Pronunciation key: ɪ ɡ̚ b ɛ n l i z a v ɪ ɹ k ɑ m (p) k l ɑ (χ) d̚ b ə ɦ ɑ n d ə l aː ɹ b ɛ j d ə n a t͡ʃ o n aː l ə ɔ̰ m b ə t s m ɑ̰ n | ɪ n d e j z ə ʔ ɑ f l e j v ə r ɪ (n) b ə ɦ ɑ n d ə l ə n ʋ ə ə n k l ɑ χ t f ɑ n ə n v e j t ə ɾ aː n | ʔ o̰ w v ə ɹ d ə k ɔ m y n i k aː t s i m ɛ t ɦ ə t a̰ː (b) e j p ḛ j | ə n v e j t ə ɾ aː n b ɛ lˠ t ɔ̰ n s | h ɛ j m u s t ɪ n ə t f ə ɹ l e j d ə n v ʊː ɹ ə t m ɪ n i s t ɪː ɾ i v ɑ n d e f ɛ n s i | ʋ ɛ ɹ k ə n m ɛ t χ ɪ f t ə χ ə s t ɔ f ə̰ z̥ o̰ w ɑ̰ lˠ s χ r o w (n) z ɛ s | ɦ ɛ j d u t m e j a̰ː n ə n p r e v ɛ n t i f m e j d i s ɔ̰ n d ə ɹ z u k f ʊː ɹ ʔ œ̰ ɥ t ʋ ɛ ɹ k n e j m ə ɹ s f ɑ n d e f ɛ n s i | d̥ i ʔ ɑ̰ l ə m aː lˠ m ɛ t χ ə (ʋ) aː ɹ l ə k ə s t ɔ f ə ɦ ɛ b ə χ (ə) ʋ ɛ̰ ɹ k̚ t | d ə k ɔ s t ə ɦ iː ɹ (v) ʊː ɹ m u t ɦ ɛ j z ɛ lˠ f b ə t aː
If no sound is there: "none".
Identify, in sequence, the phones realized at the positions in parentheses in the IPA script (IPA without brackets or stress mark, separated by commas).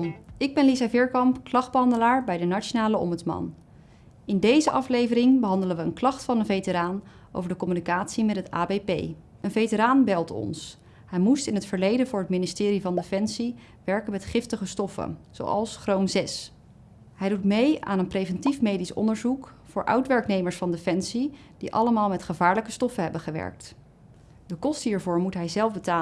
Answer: p, χ, ŋ, b, m, v, ə, v